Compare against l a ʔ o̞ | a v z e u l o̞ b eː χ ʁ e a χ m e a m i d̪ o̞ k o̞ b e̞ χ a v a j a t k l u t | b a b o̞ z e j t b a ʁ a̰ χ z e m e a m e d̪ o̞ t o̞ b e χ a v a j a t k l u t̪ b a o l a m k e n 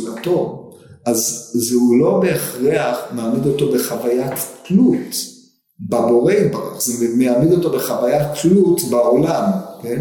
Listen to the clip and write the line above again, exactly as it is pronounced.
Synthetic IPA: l a t o̞ | a z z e u l o̞ b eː χ ʁ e a χ m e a m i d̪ o̞ t o̞ b e̞ χ a v a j a t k l u t | b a b o̞ ʁ e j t b a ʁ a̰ χ z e m e a m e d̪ o̞ t o̞ b e χ a v a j a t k l u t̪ b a o l a m k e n